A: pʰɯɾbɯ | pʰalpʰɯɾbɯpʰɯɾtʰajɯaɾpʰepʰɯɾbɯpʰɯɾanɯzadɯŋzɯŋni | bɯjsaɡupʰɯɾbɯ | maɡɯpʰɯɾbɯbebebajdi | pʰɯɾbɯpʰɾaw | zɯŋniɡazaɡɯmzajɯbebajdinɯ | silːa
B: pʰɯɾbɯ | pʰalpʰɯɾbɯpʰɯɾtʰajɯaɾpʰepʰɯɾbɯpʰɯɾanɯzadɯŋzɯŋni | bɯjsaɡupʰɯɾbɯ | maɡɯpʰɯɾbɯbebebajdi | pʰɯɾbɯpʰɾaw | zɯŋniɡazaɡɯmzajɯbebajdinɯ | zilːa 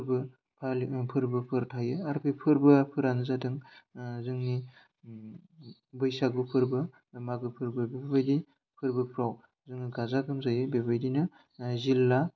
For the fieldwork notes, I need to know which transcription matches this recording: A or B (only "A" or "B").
B